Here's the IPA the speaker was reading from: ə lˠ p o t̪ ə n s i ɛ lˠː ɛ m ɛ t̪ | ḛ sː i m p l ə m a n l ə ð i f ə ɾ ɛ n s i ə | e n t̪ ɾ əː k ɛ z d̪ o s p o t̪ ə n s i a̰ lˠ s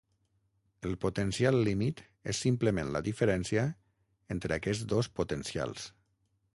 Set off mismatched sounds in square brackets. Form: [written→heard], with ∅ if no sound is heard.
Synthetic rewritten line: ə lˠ p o t̪ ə n s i [ɛ→a] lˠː [ɛ→i] m [ɛ→i] t̪ | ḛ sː i m p l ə m [a→e] n l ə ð i f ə ɾ ɛ n s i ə | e n t̪ ɾ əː k ɛ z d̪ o s p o t̪ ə n s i a̰ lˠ s